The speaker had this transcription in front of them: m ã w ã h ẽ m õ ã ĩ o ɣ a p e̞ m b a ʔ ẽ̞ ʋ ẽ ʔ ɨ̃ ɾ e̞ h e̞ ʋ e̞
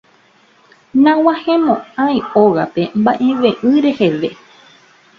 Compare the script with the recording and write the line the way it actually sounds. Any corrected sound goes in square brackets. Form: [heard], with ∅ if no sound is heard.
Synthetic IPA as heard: [n] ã w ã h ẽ m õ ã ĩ o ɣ a p e̞ m b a ʔ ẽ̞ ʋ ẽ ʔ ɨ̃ ɾ e̞ h e̞ ʋ e̞